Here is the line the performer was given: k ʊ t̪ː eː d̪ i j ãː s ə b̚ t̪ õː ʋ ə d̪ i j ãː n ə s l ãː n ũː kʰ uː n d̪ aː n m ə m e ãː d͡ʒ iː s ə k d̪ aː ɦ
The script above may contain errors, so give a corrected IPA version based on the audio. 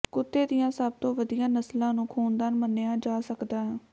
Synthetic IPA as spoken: k ʊ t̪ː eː d̪ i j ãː s ə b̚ t̪ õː ʋ ə d̪ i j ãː n ə s l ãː n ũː kʰ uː n d̪ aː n m ə n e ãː d͡ʒ aː s ə k d̪ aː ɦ